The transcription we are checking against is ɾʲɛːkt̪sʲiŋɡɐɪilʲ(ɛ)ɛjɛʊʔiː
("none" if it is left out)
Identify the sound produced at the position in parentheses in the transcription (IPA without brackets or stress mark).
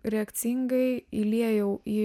i